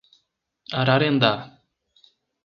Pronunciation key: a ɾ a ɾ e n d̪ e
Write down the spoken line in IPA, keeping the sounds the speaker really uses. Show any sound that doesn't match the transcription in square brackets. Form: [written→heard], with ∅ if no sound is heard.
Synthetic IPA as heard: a ɾ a ɾ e n d̪ [e→a]

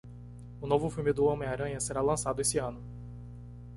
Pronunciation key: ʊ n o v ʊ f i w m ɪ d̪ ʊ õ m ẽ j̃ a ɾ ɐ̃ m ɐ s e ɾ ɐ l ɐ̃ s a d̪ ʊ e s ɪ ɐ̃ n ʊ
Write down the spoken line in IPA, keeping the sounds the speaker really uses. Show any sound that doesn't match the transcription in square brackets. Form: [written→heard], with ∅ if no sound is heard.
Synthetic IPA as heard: ʊ n o v ʊ f i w m ɪ d̪ ʊ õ m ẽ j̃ a ɾ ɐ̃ [m→ɲ] ɐ s e ɾ [ɐ→a] l ɐ̃ s a d̪ ʊ e s ɪ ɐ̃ n ʊ

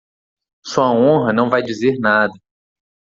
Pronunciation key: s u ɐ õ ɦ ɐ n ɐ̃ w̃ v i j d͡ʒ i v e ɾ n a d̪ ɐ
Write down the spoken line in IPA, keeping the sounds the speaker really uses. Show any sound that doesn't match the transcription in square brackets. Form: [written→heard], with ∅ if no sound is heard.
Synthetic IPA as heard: s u ɐ õ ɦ ɐ n ɐ̃ w̃ v [i→a] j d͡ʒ i [v→z] e ɾ n a d̪ ɐ

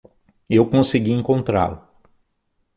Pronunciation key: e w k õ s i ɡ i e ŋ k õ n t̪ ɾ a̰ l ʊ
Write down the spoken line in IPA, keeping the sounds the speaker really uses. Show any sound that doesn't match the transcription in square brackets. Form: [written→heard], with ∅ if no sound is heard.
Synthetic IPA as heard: e w k õ s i ɡ i [e→ẽ] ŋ k õ n t̪ ɾ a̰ l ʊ

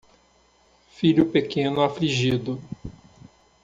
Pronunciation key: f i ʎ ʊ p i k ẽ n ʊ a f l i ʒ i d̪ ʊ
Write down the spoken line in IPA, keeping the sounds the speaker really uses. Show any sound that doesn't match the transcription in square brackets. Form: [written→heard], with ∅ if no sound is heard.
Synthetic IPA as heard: f i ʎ ʊ p [i→e] k ẽ n ʊ a f l i ʒ i d̪ ʊ

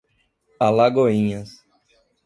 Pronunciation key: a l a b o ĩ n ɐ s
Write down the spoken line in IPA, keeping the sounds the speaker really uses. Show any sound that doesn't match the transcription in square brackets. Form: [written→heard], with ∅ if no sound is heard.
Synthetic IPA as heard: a l a [b→ɡ] o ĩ [n→ɲ] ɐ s

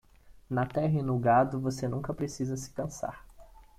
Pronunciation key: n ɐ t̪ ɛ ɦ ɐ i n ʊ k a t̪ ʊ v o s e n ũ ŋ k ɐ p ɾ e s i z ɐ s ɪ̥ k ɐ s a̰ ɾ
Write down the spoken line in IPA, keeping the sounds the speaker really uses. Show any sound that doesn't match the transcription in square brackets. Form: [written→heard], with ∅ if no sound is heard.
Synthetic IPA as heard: n ɐ t̪ ɛ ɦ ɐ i n ʊ [k→ɡ] a [t̪→d̪] ʊ v o s e n ũ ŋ k ɐ p ɾ e s i z ɐ s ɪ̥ k [ɐ→ɐ̃] s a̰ ɾ

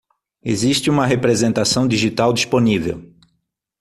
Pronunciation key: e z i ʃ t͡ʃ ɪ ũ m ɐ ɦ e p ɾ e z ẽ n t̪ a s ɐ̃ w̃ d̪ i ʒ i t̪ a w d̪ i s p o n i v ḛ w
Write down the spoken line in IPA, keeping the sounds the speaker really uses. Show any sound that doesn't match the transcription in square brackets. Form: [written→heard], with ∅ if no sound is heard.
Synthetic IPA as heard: e z i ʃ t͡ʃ ɪ ũ m ɐ ɦ e p ɾ e z ẽ n t̪ a s ɐ̃ w̃ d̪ i ʒ i t̪ a w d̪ i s p o n i v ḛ w

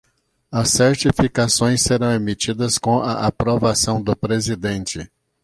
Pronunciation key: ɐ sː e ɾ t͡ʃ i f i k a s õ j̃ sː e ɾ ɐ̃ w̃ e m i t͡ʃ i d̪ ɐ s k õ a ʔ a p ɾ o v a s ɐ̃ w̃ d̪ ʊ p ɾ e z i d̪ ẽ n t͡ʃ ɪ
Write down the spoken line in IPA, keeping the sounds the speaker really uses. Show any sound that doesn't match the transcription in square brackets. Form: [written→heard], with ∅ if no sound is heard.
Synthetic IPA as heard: ɐ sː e ɾ t͡ʃ i f i k a s õ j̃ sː e ɾ ɐ̃ w̃ e m i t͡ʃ i d̪ ɐ s k õ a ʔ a p ɾ o v a s ɐ̃ w̃ d̪ ʊ p ɾ e z i d̪ ẽ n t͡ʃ ɪ

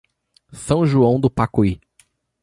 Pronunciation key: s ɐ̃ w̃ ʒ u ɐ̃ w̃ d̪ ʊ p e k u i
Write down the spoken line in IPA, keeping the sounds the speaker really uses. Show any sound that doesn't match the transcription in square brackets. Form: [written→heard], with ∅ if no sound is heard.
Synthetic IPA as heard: s ɐ̃ w̃ ʒ u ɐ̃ w̃ d̪ ʊ p [e→a] k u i

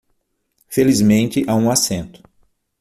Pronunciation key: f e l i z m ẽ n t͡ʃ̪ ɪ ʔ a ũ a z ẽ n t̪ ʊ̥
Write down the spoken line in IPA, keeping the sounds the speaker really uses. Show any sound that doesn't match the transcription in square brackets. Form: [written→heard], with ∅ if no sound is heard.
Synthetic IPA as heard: f e l i z m ẽ n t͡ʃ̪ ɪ ʔ a ũ a [z→s] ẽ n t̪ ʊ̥

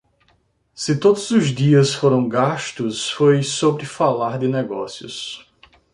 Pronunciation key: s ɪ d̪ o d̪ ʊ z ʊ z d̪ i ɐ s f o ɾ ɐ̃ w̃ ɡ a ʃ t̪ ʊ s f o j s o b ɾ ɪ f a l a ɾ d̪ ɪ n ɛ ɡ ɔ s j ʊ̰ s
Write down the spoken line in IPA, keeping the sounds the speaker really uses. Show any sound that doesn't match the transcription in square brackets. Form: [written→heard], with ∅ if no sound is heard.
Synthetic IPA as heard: s ɪ [d̪→t̪] o d̪ ʊ z ʊ z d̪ i ɐ s f o ɾ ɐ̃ w̃ ɡ a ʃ t̪ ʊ s f o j s o b ɾ ɪ f a l a ɾ d̪ ɪ n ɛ ɡ ɔ s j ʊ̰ s

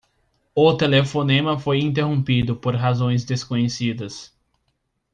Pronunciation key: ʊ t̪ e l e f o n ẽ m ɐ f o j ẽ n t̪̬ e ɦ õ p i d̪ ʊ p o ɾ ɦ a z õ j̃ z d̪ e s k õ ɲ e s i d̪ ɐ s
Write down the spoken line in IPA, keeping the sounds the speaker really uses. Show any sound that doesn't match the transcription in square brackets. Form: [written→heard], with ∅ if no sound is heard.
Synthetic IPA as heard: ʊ t̪ e l e f o n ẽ m ɐ f o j [ẽ→ĩ] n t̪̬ e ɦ õ p i d̪ ʊ p o ɾ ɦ a z õ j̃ z d̪ e s k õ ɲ e s i d̪ ɐ s

